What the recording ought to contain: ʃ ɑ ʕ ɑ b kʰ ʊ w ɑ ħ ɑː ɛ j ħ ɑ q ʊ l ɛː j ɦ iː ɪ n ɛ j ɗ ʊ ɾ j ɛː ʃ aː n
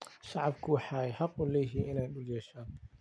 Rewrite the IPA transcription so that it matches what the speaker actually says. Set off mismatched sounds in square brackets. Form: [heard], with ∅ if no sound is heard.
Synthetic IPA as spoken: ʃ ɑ ʕ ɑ b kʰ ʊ w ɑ ħ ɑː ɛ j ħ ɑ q ʊ l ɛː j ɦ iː ɪ n ɛ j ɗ ʊ [l] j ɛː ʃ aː n